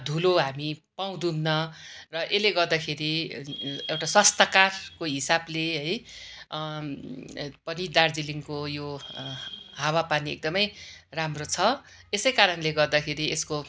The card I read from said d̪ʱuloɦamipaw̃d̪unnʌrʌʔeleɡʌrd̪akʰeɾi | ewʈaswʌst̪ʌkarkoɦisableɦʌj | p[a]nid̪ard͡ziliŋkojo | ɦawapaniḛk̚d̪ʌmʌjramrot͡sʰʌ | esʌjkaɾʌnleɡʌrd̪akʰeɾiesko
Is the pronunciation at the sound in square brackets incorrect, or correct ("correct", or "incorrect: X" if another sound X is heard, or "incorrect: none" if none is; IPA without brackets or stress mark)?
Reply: incorrect: ʌ